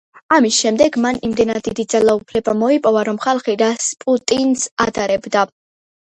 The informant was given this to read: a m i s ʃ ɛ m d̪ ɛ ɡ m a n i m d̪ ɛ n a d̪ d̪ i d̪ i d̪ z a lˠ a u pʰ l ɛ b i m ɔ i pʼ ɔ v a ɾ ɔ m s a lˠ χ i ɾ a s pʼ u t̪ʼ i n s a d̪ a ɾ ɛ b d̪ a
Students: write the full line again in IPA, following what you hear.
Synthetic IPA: a m i s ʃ ɛ m d̪ ɛ ɡ m a n i m d̪ ɛ n a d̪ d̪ i d̪ i d̪ z a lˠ a u pʰ l ɛ b a m ɔ i pʼ ɔ v a ɾ ɔ m χ a lˠ χ i ɾ a s pʼ u t̪ʼ i n s a d̪ a ɾ ɛ b d̪ a